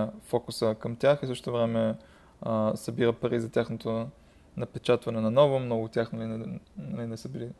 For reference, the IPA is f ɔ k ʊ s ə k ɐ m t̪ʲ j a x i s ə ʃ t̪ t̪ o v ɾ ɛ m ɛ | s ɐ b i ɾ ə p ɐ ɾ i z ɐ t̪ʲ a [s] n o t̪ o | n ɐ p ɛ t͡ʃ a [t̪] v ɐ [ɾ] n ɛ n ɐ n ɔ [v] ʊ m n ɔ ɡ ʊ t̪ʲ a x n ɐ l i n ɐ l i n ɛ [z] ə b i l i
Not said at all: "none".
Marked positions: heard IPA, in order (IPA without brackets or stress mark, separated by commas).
x, t̪, none, v, s